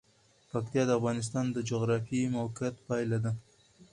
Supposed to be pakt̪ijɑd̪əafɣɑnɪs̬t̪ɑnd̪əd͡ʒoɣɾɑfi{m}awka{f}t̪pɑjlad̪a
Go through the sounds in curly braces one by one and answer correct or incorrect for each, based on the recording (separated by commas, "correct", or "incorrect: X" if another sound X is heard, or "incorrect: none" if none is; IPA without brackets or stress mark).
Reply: correct, incorrect: none